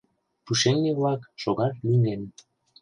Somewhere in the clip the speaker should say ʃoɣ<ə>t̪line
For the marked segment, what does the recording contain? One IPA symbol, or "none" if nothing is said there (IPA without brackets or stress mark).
ɑ